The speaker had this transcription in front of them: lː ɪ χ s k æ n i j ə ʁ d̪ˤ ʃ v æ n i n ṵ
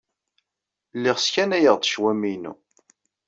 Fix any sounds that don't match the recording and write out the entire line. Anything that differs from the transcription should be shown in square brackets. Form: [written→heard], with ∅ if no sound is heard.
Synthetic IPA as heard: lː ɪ [χ→ʁ] s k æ n [i→æ] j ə ʁ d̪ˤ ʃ [v→w] æ [n→m] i n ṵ